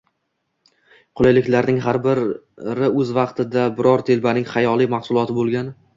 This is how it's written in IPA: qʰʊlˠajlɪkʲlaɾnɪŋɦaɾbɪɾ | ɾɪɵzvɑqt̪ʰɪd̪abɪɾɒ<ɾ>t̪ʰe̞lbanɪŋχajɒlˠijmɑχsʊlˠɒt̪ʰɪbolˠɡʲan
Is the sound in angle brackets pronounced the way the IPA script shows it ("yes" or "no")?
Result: yes